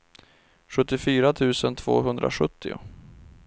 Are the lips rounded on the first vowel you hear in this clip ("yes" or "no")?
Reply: yes